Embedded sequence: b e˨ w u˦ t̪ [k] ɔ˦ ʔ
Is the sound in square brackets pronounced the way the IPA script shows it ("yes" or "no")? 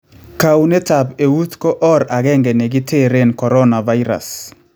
yes